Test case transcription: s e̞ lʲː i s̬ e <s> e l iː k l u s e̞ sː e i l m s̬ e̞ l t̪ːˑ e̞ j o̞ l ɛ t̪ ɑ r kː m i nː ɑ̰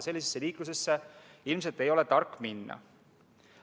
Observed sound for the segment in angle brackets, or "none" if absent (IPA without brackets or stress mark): sː